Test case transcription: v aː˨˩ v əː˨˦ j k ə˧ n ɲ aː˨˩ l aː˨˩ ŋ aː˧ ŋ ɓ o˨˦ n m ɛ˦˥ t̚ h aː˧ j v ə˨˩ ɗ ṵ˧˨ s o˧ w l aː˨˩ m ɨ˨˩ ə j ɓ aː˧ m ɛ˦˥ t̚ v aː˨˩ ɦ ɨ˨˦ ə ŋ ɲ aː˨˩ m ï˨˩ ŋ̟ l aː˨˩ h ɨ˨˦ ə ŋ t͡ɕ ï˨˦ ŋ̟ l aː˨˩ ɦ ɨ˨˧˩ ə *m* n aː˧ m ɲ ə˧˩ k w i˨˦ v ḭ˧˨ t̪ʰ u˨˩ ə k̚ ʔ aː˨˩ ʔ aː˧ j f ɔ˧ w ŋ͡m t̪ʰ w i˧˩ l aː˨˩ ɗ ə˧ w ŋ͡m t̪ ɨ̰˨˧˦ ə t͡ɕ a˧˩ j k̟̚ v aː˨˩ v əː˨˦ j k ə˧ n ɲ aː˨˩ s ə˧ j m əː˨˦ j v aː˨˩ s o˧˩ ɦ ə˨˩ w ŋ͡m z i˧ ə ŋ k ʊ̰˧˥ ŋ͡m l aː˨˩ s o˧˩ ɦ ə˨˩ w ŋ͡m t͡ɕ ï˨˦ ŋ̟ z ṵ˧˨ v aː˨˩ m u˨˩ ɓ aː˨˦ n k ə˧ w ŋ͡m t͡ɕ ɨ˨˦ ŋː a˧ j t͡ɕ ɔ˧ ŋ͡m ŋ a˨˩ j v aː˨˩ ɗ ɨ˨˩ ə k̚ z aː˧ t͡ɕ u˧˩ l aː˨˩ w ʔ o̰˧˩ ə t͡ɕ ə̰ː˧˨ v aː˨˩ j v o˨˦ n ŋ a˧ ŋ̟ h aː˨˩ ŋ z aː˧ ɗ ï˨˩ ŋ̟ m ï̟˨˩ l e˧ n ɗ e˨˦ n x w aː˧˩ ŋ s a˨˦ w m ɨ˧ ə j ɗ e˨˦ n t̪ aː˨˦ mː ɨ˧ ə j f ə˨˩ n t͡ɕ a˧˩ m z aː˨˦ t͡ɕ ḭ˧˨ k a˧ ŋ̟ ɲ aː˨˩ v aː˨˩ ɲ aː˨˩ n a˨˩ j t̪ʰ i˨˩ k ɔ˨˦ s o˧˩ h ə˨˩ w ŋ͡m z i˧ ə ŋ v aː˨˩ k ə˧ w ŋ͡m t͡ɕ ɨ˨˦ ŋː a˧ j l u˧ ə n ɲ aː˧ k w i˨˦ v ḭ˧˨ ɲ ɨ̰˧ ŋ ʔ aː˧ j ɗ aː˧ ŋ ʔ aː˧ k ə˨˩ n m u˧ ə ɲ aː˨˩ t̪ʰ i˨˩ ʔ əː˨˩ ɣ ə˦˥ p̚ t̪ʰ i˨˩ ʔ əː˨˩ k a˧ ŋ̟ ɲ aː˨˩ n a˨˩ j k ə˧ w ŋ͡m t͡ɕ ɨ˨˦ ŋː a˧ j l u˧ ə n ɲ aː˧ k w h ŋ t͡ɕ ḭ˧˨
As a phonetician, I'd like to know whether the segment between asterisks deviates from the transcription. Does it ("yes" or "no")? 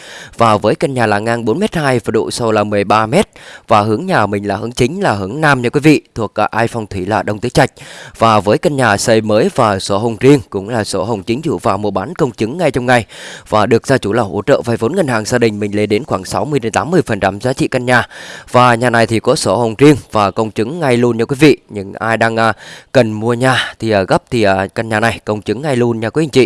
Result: yes